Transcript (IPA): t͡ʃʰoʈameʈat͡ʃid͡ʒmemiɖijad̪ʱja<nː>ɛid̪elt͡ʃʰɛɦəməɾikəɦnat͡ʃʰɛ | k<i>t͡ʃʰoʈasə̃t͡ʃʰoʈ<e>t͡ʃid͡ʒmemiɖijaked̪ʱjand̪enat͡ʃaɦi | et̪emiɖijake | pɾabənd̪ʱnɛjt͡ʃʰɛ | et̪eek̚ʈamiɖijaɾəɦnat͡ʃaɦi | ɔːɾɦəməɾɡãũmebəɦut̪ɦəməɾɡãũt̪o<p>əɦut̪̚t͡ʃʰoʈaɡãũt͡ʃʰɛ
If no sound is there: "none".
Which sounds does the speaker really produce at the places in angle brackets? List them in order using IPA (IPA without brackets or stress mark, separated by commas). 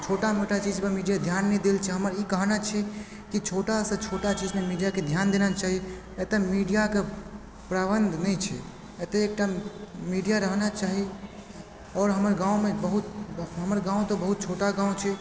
nː, i, a, b